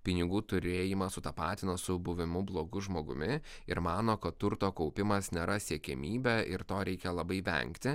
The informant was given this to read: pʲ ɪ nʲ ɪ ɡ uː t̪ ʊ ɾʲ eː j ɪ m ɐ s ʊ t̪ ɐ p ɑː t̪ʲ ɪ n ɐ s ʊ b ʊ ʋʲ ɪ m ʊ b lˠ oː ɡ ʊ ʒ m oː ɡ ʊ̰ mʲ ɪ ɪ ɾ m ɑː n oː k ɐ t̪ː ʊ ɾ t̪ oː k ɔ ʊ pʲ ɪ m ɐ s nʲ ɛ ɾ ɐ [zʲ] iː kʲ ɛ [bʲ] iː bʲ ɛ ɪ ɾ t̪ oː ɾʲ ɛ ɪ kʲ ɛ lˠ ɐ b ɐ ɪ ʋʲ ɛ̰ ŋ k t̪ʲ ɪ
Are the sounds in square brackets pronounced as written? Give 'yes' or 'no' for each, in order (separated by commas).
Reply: no, no